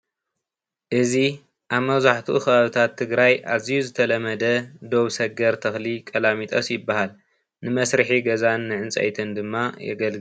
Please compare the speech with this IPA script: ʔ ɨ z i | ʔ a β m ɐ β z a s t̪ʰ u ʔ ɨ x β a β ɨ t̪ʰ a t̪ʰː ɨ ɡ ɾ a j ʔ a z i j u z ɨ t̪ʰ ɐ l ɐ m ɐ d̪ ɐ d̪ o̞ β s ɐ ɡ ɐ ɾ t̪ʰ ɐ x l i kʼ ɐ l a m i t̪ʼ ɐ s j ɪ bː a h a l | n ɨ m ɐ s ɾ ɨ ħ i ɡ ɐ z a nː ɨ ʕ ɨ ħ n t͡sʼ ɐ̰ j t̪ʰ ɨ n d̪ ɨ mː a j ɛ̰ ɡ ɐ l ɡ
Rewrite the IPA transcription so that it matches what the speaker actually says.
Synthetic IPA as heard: ʔ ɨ z i | ʔ a β m ɐ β z a ħ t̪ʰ u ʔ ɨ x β a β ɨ t̪ʰ a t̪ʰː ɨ ɡ ɾ a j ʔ a z i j u z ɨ t̪ʰ ɐ l ɐ m ɐ d̪ ɐ d̪ o̞ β s ɐ ɡ ɐ ɾ t̪ʰ ɐ x l i kʼ ɐ l a m i t̪ʼ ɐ s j ɪ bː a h a l | n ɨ m ɐ s ɾ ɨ ħ i ɡ ɐ z a nː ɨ ʕ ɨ n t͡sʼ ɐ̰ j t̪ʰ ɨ n d̪ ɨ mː a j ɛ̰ ɡ ɐ l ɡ